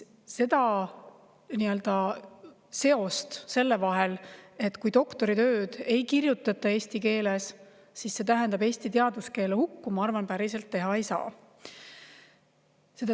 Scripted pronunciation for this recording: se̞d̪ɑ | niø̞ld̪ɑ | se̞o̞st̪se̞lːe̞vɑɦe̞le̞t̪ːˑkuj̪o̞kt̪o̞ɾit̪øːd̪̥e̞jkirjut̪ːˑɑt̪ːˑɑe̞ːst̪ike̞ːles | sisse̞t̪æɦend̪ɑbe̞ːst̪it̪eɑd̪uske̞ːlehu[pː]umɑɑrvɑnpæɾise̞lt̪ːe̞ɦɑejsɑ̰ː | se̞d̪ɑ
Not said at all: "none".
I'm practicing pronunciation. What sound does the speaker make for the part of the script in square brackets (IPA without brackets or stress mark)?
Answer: kː